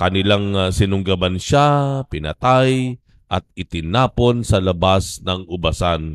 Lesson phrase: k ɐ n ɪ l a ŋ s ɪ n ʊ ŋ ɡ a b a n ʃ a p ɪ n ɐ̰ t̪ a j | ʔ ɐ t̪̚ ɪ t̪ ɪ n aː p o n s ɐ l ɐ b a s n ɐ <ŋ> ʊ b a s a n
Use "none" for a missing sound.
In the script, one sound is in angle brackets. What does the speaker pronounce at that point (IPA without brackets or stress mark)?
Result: ŋ